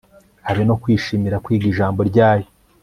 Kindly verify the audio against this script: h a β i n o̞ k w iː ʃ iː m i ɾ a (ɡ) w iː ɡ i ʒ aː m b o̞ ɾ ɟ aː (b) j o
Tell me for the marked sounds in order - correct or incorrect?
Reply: incorrect: k, incorrect: none

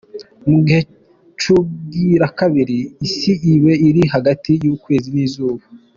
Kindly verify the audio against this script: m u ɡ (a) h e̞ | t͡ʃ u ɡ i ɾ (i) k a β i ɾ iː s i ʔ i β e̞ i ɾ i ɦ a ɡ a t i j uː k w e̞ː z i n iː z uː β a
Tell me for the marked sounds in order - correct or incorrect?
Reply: incorrect: i, incorrect: a

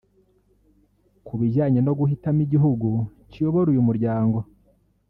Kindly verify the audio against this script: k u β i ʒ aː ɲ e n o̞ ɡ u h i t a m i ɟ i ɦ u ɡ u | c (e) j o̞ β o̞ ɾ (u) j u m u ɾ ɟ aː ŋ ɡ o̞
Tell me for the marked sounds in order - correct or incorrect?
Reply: incorrect: i, correct

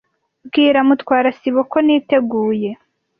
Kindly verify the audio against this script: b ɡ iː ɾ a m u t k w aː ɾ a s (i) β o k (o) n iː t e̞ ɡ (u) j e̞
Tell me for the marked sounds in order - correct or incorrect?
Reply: correct, correct, incorrect: uː

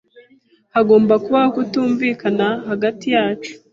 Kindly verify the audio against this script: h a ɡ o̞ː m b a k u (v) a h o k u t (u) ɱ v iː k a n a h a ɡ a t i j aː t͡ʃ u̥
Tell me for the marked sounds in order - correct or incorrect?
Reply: incorrect: β, incorrect: uː

